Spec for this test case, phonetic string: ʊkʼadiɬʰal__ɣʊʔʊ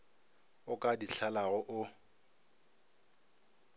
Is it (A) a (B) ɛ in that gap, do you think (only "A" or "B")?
A